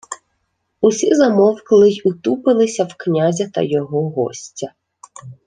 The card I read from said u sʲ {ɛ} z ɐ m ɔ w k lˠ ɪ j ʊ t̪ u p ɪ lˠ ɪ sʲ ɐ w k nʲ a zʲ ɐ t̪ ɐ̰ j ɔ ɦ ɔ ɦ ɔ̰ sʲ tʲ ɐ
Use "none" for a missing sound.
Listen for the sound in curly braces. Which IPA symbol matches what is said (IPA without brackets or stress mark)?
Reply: i